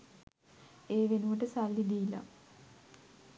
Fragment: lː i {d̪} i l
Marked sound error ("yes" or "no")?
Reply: no